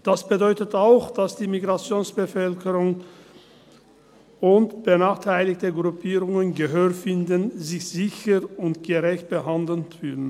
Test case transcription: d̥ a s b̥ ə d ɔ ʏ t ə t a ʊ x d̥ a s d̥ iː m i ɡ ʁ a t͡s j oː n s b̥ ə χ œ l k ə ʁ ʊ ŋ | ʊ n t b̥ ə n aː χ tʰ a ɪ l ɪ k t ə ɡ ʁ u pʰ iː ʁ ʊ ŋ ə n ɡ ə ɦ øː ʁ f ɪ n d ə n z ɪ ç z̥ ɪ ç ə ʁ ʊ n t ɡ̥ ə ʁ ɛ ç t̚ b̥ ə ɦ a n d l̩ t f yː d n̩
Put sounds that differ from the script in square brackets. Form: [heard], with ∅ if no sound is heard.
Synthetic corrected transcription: d̥ a s b̥ ə d ɔ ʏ t ə t a ʊ x d̥ a s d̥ iː m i ɡ ʁ a t͡s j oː n s b̥ ə [f] œ l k ə ʁ ʊ ŋ | ʊ n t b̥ ə n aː χ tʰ a ɪ l ɪ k t ə ɡ ʁ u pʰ iː ʁ ʊ ŋ ə n ɡ ə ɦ øː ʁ f ɪ n d ə n z ɪ ç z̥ ɪ ç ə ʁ ʊ n t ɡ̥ ə ʁ ɛ ç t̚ b̥ ə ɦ a n d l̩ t f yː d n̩

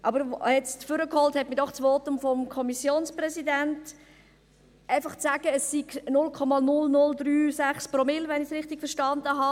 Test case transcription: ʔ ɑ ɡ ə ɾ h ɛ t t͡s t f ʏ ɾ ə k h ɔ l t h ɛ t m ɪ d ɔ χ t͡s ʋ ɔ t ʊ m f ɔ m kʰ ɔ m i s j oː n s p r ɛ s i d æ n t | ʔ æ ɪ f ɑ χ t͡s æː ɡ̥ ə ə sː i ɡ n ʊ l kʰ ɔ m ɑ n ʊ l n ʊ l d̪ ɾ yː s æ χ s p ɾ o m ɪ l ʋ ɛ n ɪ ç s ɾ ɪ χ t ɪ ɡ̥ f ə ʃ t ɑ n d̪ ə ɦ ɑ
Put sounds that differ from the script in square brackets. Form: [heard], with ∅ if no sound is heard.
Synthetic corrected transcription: ʔ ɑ [b] ə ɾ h ɛ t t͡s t f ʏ ɾ ə k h ɔ l t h ɛ t m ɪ d ɔ χ t͡s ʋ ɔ t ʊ m f ɔ m kʰ ɔ m i s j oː n s p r ɛ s i d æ n t | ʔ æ ɪ f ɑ χ t͡s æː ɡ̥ ə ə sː i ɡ n ʊ l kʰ ɔ m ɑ n ʊ l n ʊ l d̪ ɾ yː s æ χ s p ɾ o m ɪ l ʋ ɛ n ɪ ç s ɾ ɪ χ t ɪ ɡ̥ f ə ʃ t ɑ n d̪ ə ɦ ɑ

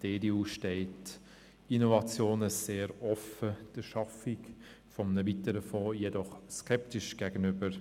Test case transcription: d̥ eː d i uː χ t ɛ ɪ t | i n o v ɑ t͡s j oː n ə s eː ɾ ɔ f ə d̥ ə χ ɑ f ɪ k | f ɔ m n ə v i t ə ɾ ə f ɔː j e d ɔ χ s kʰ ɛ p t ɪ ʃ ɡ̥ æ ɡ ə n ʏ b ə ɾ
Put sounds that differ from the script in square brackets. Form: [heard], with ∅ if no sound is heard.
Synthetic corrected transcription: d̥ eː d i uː [ʃ] t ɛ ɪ t | i n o v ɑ t͡s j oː n ə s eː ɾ ɔ f ə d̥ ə [ʃ] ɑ f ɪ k | f ɔ m n ə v i t ə ɾ ə f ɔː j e d ɔ χ s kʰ ɛ p t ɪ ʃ ɡ̥ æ ɡ ə n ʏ b ə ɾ

